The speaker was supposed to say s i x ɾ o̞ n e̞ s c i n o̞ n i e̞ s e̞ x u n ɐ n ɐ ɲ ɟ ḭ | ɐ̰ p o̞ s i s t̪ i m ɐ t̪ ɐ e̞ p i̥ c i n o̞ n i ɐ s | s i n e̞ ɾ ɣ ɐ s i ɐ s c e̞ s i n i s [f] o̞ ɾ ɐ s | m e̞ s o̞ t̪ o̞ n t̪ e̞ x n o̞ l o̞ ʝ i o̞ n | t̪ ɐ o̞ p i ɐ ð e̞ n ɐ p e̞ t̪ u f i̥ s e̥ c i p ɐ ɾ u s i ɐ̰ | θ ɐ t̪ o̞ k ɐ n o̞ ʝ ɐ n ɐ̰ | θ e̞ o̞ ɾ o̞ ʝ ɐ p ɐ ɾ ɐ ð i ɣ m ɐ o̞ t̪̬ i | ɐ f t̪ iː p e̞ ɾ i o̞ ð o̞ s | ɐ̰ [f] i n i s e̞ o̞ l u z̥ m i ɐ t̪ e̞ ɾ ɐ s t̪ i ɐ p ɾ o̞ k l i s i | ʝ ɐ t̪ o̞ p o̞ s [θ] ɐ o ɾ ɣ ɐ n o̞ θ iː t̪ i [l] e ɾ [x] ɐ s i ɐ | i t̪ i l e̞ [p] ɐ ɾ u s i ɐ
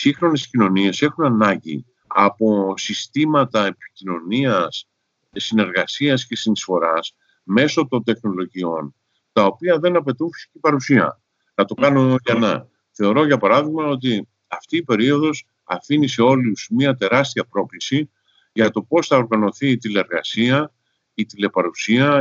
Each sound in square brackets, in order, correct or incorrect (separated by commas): correct, correct, correct, correct, incorrect, correct